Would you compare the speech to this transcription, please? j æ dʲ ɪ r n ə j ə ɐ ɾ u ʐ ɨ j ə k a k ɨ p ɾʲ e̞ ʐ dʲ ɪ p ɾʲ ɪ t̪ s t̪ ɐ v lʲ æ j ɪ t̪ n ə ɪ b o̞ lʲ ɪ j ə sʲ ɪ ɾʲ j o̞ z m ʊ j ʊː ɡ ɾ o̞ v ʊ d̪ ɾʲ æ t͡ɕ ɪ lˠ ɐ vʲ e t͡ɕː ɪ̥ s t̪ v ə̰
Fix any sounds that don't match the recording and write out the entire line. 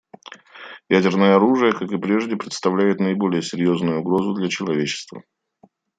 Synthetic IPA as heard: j æ dʲ ɪ r n ə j ə ɐ ɾ u ʐ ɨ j ə k a k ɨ p ɾʲ e̞ ʐ dʲ ɪ p ɾʲ ɪ t̪ s t̪ ɐ v lʲ æ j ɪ t̪ n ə ɪ b o̞ lʲ ɪ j ə sʲ ɪ ɾʲ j o̞ z n ʊ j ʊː ɡ ɾ o̞ z ʊ d̪ lʲ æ t͡ɕ ɪ lˠ ɐ vʲ e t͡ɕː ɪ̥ s t̪ v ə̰